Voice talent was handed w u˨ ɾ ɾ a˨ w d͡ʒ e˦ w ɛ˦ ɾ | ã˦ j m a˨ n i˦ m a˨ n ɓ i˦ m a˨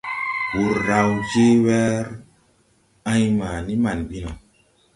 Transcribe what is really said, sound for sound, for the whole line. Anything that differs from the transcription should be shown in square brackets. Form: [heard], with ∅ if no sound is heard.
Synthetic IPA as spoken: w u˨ ɾ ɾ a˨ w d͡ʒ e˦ w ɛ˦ ɾ | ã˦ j m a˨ n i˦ m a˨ n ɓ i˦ [n] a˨